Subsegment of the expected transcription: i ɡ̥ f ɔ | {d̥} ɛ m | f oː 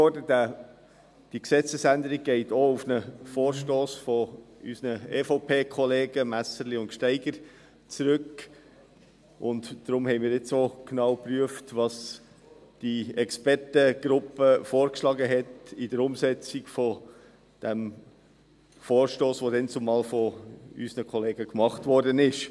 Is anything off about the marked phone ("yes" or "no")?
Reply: no